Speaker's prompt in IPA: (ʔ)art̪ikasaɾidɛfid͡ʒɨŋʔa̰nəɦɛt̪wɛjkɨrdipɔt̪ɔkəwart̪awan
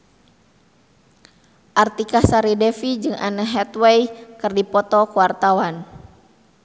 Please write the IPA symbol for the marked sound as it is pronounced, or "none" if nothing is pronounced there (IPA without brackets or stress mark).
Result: ʔ